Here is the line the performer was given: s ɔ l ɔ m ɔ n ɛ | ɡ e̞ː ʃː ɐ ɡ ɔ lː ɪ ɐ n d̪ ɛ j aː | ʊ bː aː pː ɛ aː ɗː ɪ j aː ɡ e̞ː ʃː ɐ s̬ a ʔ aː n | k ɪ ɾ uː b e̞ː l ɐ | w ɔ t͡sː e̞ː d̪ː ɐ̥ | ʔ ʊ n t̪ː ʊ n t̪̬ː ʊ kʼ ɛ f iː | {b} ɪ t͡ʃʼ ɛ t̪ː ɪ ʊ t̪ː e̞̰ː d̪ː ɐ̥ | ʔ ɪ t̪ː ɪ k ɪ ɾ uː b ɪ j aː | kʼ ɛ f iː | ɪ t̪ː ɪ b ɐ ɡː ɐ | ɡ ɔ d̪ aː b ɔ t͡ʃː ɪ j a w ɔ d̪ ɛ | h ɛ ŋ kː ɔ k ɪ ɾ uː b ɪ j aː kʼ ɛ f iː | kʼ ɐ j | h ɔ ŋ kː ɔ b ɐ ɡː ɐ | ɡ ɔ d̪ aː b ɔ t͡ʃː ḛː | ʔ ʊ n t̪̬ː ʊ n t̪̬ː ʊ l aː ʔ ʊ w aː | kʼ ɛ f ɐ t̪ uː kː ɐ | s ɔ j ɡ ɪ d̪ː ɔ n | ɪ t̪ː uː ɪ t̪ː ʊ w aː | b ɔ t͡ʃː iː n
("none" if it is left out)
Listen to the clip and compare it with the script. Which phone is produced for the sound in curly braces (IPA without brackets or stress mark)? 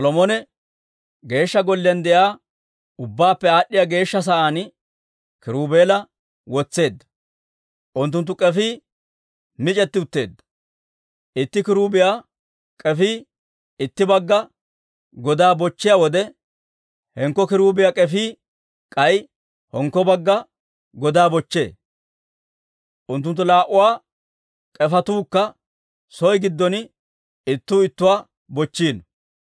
m